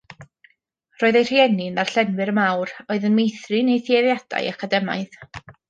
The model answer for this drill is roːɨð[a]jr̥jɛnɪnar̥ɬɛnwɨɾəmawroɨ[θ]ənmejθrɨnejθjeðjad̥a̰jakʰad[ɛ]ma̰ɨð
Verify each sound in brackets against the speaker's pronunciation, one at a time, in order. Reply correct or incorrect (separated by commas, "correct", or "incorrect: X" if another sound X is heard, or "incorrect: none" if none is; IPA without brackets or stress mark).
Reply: incorrect: e, incorrect: ð, correct